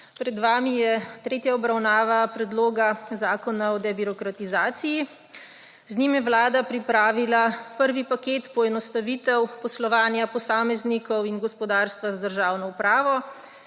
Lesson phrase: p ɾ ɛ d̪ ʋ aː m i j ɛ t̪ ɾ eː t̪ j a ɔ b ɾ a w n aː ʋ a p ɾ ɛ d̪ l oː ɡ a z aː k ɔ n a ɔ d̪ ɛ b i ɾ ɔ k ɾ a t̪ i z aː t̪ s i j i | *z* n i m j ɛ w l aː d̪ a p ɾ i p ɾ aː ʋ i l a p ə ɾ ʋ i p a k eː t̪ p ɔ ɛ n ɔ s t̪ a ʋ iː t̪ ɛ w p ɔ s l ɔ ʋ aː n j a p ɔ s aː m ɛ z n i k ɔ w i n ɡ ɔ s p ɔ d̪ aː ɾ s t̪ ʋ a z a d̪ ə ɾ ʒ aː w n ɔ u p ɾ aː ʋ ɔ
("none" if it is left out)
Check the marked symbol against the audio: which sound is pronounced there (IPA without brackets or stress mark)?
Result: z